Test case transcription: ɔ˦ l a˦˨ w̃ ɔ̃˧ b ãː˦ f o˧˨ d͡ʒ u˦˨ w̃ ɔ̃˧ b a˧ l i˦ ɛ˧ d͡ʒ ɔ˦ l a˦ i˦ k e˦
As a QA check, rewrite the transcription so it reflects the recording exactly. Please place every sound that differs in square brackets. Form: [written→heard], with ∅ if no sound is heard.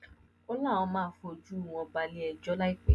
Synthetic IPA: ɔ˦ l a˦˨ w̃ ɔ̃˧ [b→m] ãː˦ f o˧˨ d͡ʒ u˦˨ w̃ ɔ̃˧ b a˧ l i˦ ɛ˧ d͡ʒ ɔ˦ l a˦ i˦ [k→k͡p] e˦